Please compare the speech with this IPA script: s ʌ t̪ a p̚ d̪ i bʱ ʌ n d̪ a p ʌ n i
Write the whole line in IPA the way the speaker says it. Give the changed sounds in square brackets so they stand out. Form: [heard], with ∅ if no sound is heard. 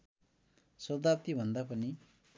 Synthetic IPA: s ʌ [d̪] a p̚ [t̪] i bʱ ʌ n d̪ a p ʌ n i

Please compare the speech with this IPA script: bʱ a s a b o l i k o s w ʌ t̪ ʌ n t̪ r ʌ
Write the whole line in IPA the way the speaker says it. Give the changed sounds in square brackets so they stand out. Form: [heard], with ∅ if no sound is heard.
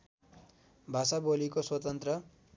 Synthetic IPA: bʱ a s a b o l i k o s w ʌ t̪ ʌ n t̪ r ʌ

